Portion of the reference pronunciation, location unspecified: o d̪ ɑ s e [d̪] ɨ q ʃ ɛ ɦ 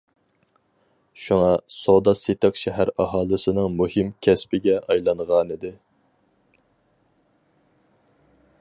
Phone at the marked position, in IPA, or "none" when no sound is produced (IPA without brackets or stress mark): t̪